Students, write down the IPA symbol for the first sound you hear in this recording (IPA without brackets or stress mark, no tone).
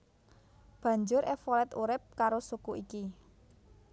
b̥